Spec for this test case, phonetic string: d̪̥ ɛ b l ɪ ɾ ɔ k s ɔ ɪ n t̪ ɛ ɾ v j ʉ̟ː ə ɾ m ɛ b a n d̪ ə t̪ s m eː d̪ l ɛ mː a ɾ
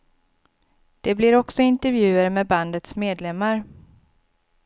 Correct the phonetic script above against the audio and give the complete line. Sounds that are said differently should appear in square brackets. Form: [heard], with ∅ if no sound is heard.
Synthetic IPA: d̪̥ ɛ b l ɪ ɾ ɔ k s ɔ ɪ n t̪ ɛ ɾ v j ʉ̟ː ə ɾ m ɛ b a n d̪ ə t̪ s m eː d̪ l ɛ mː a ɾ